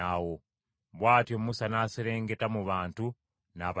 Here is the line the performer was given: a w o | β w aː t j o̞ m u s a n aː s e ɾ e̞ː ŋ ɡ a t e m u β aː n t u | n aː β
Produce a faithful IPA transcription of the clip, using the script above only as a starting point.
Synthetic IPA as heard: a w o | β w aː t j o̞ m u s a n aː s e ɾ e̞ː ŋ ɡ e t a m u β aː n t u | n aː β